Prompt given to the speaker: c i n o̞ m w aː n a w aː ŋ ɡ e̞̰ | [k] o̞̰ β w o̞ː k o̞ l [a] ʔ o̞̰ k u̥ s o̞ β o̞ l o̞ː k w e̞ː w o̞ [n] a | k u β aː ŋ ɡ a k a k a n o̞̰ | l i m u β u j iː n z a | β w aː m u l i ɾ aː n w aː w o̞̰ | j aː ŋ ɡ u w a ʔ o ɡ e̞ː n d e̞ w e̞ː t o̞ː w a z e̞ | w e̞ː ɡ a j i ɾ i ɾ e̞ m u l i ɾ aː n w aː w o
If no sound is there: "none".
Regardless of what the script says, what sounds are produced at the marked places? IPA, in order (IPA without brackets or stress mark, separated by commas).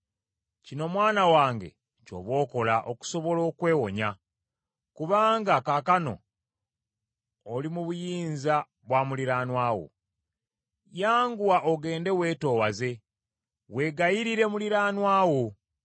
c, a, ɲ